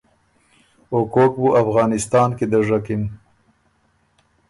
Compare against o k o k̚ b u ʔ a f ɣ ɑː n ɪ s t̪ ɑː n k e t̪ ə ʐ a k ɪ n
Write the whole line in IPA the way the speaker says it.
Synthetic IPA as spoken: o k o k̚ b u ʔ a f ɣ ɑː n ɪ s t̪ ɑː n k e d̪ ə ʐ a k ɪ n